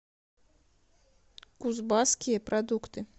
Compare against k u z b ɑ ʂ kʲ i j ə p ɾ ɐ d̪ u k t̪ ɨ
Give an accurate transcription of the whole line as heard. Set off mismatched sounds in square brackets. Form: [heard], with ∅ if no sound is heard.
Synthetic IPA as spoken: k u z b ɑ [s] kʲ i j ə p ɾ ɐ d̪ u k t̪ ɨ